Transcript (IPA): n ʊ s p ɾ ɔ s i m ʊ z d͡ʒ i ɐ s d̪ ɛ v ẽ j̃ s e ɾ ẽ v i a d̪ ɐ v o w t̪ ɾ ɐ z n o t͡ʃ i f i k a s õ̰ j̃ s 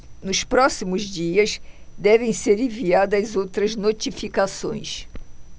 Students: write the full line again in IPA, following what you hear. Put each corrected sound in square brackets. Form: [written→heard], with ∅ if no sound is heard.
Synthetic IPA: n ʊ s p ɾ ɔ s i m ʊ z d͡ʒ i ɐ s d̪ ɛ v ẽ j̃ s e ɾ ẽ v i a d̪ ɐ [v→z] o w t̪ ɾ ɐ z n o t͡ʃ i f i k a s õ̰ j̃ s